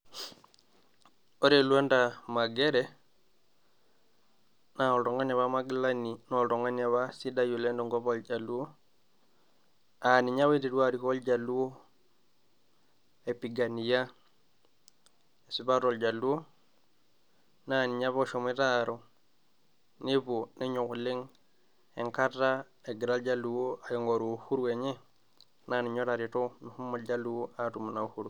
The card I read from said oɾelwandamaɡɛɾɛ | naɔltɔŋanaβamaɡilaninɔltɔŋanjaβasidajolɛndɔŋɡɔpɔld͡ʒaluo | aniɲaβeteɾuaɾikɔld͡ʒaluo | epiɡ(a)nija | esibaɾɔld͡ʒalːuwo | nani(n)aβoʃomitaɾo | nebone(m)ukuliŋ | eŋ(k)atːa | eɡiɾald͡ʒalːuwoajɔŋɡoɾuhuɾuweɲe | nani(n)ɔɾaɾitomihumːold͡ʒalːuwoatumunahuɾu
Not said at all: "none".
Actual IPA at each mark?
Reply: a, ɲ, ɲ, k, ɲ

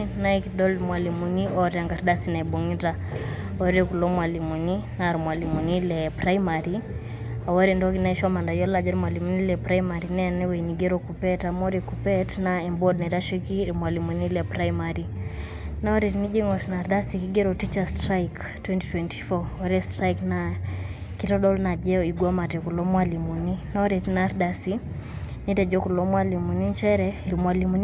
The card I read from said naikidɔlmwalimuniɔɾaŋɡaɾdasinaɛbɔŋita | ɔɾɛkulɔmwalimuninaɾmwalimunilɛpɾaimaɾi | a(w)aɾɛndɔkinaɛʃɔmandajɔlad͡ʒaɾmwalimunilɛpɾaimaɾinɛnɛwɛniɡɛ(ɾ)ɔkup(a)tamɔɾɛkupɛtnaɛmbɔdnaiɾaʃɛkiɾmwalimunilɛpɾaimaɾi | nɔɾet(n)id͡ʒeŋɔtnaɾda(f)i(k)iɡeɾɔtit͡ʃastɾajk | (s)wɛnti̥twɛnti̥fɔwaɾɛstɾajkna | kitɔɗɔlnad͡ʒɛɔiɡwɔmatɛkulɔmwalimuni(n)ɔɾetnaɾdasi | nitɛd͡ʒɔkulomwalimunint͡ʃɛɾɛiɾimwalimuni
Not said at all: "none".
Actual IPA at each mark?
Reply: w, ɾ, ɛ, n, s, k, t, n

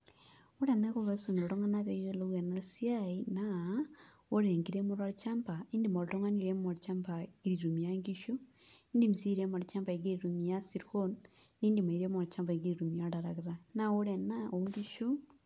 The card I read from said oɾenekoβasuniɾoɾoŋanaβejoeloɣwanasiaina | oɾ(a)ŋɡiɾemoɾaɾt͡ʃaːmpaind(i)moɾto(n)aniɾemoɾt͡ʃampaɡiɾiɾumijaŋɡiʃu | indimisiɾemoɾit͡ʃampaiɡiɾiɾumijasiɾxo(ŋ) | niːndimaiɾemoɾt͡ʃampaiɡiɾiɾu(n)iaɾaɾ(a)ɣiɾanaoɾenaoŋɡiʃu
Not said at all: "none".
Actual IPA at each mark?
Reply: e, i, ŋ, n, m, a

